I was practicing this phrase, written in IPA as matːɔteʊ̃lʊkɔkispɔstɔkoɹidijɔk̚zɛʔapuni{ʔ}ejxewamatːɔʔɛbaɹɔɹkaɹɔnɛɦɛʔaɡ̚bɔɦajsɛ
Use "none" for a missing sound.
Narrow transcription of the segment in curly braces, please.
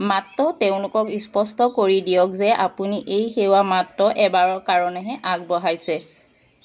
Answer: ʔ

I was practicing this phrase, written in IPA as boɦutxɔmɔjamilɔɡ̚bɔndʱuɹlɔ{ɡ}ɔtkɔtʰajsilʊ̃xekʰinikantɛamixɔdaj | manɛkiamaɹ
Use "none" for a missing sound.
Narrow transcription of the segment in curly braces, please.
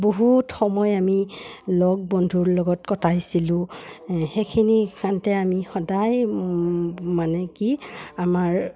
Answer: ɡ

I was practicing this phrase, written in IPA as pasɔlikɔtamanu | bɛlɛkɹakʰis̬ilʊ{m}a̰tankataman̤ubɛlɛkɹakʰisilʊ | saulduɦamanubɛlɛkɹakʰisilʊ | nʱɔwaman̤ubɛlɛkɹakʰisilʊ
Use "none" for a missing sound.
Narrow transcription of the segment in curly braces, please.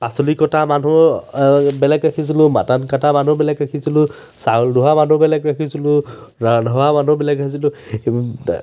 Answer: m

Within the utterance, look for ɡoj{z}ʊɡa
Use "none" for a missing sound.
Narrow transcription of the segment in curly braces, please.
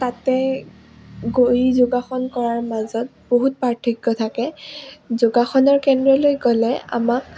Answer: z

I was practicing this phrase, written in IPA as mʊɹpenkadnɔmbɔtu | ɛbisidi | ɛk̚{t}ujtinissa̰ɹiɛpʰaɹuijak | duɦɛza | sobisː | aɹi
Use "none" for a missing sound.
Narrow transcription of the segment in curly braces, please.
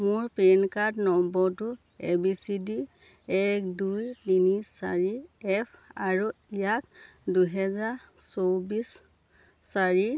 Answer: d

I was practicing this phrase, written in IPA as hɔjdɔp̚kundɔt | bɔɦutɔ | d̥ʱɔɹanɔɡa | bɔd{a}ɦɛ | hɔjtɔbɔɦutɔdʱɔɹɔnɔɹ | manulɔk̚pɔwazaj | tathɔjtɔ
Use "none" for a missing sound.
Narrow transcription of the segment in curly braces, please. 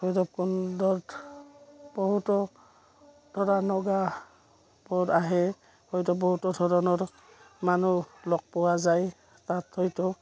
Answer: a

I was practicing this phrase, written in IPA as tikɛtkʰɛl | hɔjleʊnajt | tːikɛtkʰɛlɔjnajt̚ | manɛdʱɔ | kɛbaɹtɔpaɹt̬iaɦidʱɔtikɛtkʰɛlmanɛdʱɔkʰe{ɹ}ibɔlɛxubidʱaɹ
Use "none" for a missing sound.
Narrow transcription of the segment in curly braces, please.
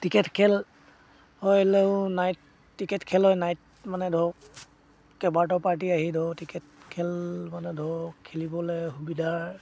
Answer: l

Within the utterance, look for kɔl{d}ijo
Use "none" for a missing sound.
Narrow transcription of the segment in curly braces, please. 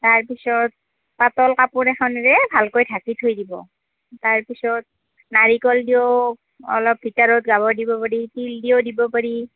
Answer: d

